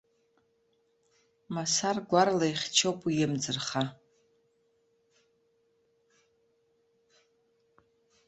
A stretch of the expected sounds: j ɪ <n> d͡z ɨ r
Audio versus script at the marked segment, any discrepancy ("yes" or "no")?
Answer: yes